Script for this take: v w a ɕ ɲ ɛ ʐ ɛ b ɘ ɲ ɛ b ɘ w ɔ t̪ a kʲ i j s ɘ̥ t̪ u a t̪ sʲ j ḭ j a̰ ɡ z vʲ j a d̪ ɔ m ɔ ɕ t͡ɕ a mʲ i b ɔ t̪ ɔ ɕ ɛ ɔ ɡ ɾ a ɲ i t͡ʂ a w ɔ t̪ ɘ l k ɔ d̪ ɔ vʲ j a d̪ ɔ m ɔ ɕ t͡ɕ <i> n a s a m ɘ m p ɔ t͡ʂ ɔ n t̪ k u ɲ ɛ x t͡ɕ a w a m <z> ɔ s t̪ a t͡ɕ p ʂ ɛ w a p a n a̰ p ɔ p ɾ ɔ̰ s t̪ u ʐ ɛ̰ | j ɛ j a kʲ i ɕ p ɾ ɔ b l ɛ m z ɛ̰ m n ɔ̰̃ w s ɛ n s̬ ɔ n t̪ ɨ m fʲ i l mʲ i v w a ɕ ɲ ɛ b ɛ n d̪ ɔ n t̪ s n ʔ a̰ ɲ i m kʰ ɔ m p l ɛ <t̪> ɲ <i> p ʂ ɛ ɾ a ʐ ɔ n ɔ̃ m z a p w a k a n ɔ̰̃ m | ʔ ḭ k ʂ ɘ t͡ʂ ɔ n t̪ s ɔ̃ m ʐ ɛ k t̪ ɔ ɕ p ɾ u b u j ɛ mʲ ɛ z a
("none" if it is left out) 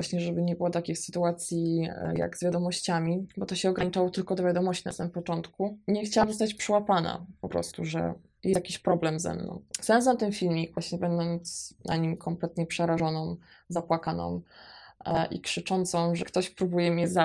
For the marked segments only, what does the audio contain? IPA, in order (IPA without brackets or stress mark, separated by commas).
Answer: i, z, t̪, ɛ